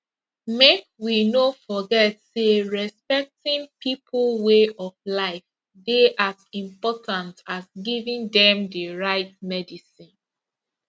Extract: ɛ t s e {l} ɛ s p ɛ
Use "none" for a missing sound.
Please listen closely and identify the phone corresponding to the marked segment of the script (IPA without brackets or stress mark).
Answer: ɹ